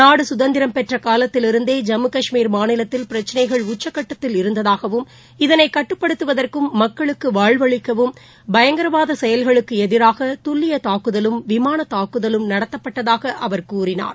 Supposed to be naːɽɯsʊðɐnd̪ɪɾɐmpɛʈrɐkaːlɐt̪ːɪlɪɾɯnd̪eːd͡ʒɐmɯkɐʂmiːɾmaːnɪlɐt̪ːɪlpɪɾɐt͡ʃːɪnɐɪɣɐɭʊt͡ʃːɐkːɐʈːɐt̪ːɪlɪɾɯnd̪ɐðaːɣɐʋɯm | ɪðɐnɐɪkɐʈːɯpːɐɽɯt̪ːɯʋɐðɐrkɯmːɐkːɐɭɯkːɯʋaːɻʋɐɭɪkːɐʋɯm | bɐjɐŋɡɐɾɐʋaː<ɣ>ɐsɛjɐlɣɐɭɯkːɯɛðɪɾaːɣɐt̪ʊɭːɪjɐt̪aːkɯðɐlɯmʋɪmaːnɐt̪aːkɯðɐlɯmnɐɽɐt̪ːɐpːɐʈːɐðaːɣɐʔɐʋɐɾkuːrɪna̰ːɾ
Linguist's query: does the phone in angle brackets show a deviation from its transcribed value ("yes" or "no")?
yes